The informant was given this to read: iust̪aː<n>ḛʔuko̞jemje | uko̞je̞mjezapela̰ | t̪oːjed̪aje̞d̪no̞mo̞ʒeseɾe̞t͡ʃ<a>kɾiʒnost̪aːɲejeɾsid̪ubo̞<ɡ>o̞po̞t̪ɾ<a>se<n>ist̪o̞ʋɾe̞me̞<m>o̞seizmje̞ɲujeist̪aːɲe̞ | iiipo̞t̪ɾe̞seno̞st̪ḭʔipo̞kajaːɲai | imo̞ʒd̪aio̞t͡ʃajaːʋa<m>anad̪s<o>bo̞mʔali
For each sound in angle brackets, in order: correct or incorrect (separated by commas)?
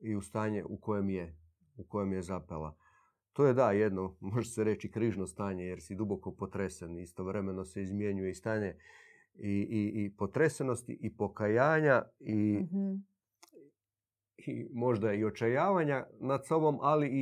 incorrect, incorrect, incorrect, incorrect, correct, incorrect, incorrect, correct